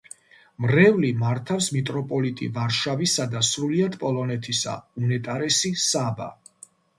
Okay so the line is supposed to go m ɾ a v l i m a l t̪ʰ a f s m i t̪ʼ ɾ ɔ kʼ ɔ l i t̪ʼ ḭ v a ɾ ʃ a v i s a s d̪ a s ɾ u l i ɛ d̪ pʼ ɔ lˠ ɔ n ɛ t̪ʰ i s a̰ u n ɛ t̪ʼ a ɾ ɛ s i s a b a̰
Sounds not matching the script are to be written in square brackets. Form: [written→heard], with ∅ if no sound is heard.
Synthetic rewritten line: m ɾ [a→ɛ] v l i m a [l→ɾ] t̪ʰ a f s m i t̪ʼ ɾ ɔ [kʼ→pʼ] ɔ l i t̪ʼ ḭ v a ɾ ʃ a v i s a [s→∅] d̪ a s ɾ u l i [ɛ→a] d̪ pʼ ɔ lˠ ɔ n ɛ t̪ʰ i s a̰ u n ɛ t̪ʼ a ɾ ɛ s i s a b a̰